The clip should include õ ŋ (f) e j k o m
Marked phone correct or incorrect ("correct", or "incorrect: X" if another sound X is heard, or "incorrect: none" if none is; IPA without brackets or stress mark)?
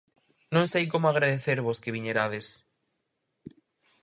incorrect: s